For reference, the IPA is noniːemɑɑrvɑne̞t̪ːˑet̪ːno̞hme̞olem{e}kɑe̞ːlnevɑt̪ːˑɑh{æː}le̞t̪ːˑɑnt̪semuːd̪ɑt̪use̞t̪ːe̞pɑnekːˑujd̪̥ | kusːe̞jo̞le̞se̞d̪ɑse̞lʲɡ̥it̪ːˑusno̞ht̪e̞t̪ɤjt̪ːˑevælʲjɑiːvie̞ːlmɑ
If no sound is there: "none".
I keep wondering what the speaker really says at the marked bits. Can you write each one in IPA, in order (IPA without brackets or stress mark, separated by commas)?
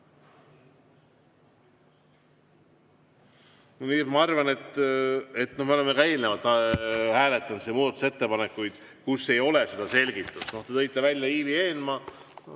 e, æː